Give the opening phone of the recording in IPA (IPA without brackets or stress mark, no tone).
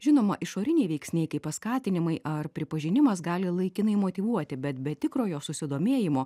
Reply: ʒʲ